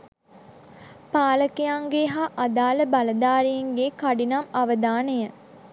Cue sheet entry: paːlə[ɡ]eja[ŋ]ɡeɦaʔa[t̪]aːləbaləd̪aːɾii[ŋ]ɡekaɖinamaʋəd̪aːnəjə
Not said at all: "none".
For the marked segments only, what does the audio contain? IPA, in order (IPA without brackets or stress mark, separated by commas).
k, ŋ, d̪, ŋ